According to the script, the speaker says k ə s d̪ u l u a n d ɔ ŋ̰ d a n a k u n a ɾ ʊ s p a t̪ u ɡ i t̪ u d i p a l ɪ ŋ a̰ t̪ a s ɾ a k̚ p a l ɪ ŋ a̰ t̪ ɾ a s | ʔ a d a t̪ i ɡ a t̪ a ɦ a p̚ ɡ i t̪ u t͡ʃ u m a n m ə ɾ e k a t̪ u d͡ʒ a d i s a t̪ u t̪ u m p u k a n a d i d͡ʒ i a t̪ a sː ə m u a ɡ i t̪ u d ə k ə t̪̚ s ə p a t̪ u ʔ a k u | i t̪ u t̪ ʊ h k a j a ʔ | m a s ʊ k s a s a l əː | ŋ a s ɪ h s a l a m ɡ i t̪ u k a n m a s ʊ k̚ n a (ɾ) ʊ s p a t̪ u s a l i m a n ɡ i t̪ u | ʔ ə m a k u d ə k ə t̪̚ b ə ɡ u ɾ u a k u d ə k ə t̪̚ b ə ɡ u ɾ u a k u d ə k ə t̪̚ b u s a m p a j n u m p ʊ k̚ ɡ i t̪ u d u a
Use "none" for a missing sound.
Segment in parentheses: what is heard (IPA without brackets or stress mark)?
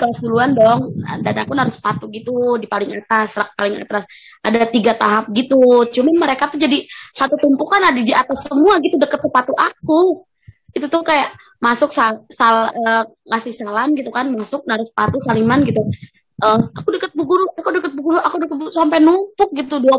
ɾ